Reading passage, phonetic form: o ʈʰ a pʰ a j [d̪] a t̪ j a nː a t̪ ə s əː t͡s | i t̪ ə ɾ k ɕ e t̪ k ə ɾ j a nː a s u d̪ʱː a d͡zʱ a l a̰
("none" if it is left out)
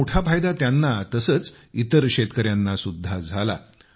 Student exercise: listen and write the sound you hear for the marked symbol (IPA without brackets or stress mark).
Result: d̪